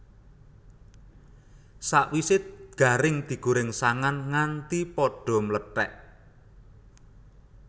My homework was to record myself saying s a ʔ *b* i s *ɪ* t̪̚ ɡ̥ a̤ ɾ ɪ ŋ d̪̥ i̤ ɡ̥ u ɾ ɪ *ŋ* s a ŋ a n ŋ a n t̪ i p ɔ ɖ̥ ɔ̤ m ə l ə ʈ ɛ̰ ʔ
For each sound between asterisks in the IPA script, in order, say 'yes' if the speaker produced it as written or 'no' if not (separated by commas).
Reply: no, yes, yes